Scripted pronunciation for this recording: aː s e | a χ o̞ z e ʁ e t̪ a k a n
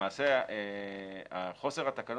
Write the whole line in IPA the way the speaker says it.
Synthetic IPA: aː s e | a χ o̞ s e ʁ a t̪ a k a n